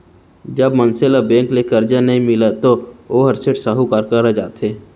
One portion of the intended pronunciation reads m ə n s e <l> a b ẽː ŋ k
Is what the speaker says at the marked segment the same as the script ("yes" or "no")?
yes